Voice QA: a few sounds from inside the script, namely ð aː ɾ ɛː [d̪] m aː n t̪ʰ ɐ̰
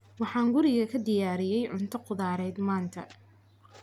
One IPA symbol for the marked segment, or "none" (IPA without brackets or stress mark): d̪